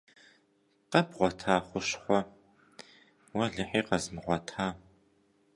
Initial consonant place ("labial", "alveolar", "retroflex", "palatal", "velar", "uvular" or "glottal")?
uvular